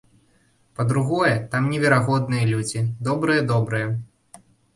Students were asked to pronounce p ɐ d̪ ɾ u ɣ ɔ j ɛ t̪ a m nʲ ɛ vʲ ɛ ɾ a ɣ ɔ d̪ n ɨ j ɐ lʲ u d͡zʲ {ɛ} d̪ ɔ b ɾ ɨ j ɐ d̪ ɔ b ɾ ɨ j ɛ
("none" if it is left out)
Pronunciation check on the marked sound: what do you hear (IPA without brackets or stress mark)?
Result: i